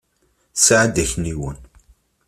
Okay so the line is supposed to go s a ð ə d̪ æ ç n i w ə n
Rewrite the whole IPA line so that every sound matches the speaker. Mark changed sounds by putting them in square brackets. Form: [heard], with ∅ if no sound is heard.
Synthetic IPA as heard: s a [ʕ] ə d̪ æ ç n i w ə n